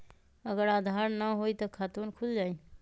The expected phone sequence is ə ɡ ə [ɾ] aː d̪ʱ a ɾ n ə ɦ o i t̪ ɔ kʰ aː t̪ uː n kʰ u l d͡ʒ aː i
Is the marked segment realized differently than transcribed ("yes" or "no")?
no